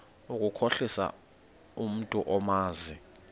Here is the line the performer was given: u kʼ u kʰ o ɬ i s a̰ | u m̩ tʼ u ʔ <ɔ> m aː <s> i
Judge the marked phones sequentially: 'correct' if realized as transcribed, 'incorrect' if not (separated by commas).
correct, incorrect